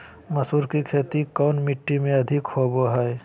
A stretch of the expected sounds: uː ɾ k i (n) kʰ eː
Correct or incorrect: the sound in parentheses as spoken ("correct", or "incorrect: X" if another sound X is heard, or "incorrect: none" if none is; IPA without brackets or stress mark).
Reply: incorrect: none